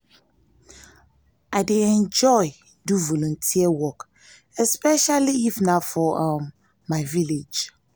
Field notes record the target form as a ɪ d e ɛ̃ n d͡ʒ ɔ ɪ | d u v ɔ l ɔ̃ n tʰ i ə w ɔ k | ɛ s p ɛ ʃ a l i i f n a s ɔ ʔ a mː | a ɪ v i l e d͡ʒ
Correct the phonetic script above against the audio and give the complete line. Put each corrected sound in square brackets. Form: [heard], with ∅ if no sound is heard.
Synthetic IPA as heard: a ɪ d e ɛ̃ n d͡ʒ ɔ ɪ | d u v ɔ l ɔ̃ n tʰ i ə w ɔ k | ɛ s p ɛ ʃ a l i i f n a [f] ɔ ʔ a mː | a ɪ v i l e d͡ʒ